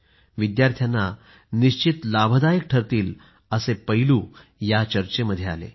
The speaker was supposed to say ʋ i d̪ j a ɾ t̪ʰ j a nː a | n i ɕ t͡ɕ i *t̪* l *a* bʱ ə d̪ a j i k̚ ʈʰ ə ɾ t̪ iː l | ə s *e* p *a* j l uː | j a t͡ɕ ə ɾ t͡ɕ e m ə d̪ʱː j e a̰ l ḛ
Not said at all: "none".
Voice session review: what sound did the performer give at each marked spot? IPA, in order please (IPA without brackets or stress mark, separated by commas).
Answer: t̪, a, e, ə